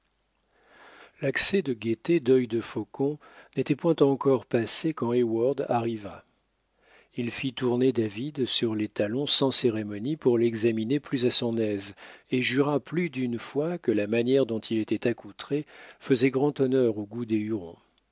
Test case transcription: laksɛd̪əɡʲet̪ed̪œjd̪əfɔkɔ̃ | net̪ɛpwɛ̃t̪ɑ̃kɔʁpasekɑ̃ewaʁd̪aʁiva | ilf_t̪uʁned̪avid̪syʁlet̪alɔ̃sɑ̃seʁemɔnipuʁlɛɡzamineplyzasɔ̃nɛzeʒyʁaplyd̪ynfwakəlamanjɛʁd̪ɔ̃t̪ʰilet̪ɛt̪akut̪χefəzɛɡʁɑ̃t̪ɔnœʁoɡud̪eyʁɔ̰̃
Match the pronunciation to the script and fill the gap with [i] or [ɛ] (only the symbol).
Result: i